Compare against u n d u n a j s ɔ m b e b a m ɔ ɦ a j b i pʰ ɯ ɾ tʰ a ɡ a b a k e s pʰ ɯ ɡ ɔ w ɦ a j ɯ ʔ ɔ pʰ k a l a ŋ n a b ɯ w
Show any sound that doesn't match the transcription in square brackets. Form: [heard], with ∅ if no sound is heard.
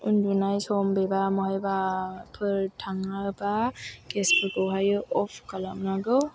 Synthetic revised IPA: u n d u n a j s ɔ m b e b a m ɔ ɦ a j b [a] pʰ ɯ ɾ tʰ a [ŋ] a b a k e s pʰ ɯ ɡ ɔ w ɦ a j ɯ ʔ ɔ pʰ k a l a [m] n a [ɡ] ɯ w